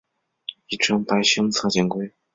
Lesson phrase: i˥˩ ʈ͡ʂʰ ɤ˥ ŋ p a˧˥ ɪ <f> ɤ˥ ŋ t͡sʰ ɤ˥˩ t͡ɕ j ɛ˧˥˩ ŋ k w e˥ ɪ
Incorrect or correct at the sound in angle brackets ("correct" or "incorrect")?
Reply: incorrect